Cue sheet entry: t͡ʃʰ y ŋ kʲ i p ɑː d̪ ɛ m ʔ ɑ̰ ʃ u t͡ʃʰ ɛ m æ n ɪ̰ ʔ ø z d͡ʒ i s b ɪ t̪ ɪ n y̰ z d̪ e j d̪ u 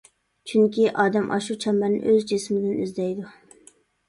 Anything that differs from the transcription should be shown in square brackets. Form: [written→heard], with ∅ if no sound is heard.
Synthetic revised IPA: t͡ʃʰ y ŋ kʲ i [p→ʔ] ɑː d̪ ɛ m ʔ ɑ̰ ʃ u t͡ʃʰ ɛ m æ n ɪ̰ ʔ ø z d͡ʒ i s [b→m] ɪ [t̪→d̪] ɪ n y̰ z d̪ [e→ɛ] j d̪ u